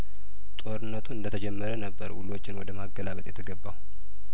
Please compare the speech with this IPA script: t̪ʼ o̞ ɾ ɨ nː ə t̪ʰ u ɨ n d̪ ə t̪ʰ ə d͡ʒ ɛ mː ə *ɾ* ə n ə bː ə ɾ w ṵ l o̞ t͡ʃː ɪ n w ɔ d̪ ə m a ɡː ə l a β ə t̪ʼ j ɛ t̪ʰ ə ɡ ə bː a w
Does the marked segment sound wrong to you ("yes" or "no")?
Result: no